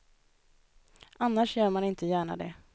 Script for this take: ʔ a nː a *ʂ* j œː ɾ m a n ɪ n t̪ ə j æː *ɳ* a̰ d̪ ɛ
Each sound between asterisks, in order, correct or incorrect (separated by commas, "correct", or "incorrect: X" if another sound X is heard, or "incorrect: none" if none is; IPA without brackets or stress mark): correct, correct